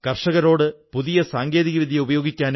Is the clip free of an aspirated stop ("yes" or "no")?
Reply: yes